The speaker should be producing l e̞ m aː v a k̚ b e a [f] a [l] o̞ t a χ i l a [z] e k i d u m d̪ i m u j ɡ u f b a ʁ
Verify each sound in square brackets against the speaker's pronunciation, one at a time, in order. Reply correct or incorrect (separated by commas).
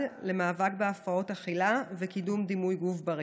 correct, incorrect, incorrect